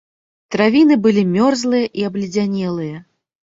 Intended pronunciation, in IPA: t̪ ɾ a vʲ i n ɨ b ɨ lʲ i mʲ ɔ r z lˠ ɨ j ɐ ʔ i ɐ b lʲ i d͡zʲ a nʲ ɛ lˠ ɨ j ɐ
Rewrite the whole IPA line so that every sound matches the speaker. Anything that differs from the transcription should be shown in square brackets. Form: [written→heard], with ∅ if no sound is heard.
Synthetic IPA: t̪ ɾ a vʲ i n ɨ b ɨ lʲ i mʲ ɔ r z lˠ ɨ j ɐ ʔ i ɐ b lʲ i d͡zʲ a nʲ ɛ lˠ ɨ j ɐ